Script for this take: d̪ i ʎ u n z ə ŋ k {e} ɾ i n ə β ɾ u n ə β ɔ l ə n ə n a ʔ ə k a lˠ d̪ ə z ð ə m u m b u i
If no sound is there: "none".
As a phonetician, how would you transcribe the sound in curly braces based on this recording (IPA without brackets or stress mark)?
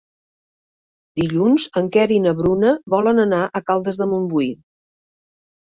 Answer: ɛ